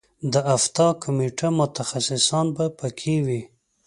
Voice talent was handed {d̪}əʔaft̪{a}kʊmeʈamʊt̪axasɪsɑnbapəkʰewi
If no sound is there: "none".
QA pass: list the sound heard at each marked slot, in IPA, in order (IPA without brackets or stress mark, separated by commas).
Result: d̪, ɑ